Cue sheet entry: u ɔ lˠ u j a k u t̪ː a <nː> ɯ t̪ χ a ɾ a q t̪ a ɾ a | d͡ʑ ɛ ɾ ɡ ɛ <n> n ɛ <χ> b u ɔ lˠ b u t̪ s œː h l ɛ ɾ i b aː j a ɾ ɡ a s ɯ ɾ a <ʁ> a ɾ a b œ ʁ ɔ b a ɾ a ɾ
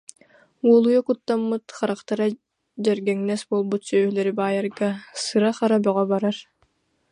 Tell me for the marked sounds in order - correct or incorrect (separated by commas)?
incorrect, incorrect, incorrect, incorrect